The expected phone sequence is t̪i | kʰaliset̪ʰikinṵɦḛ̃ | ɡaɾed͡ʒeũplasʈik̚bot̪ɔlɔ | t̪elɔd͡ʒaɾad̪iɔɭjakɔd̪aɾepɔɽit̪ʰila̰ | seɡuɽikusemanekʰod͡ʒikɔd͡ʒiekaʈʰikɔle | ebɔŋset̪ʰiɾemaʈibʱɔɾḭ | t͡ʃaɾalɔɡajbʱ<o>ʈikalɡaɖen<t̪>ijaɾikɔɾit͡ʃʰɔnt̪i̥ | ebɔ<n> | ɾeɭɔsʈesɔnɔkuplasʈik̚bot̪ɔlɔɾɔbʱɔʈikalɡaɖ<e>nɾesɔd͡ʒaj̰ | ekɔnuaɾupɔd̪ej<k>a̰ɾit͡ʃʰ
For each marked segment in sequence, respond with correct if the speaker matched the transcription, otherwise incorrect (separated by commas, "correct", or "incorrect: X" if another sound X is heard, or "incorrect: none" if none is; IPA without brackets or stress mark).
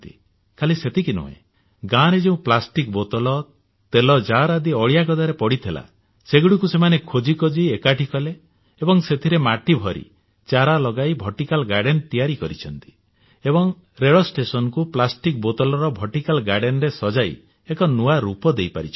incorrect: ɔ, correct, incorrect: ŋ, correct, incorrect: p